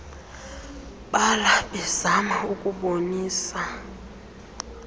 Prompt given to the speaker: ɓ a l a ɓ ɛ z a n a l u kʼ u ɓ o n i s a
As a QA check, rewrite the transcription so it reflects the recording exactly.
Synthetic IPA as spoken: ɓ a l a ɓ ɛ z a m a u kʼ u ɓ o n iː s a